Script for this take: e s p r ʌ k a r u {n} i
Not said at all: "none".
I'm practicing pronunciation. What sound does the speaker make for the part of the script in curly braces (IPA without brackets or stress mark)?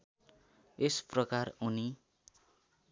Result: n